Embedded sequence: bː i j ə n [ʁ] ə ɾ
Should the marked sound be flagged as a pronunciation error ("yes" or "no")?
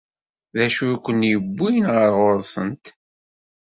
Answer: no